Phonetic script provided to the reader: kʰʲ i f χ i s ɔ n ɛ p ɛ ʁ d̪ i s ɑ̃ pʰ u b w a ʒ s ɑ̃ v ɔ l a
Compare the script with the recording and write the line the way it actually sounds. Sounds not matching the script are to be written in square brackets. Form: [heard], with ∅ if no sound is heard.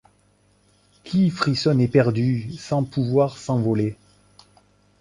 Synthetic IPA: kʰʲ i f χ i s ɔ n ɛ p ɛ ʁ d̪ [y] s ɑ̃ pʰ u [v] w a [ʁ] s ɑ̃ v ɔ l [e]

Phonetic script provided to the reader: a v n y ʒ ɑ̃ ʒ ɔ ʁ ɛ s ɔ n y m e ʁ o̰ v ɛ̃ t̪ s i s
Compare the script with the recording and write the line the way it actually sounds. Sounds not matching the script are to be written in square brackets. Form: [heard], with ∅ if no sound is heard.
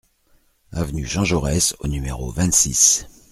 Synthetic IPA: a v n y ʒ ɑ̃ ʒ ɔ ʁ ɛ s [o] n y m e ʁ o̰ v ɛ̃ t̪ s i s

